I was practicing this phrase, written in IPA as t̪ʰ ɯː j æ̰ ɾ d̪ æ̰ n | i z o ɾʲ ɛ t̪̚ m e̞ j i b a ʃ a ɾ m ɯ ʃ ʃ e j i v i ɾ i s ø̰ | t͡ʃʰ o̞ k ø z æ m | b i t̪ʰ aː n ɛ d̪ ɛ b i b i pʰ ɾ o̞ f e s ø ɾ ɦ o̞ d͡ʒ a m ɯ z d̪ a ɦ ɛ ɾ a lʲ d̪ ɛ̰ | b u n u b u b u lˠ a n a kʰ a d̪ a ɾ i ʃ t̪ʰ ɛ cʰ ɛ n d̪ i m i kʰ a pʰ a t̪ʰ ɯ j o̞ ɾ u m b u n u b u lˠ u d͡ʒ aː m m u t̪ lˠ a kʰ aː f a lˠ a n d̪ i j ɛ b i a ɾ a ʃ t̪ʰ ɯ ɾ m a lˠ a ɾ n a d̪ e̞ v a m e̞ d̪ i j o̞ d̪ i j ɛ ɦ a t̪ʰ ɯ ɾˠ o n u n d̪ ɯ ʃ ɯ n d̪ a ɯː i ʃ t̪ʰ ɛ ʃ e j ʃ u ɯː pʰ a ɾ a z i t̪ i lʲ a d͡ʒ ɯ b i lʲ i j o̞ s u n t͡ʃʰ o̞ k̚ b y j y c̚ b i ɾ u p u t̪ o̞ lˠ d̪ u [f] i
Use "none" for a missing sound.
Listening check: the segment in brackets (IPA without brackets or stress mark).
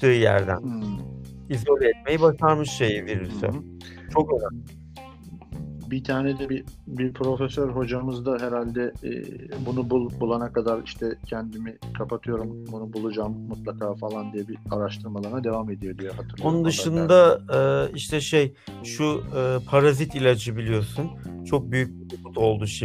ʃ